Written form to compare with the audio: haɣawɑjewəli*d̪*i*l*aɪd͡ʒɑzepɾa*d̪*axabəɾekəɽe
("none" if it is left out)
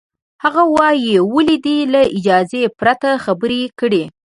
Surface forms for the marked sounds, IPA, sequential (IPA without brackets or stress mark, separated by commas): d̪, l, t̪